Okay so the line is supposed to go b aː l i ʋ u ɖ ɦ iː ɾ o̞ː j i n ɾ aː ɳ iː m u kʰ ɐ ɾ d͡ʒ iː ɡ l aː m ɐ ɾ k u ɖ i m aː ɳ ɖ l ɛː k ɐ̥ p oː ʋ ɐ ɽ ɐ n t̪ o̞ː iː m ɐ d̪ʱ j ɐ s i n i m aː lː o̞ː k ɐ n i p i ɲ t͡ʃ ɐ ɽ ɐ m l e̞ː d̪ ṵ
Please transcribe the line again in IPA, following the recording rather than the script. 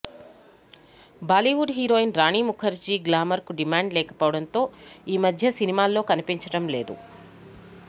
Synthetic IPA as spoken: b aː l i ʋ u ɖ ɦ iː ɾ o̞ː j i n ɾ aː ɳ iː m u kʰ ɐ ɾ d͡ʒ iː ɡ l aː m ɐ ɾ k u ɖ i m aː ɳ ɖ l ɛː k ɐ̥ p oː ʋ ɐ ɽ ɐ n t̪ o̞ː iː m ɐ d̪ʱ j ɐ s i n i m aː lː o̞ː k ɐ n i p i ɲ t͡ʃ ɐ ɽ ɐ m l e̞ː d̪ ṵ